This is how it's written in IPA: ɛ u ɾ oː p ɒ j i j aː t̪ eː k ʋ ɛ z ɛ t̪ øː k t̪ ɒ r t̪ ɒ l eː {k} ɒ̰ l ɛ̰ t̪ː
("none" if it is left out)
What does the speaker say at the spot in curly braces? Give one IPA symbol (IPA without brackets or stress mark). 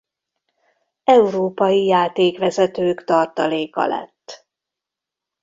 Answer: k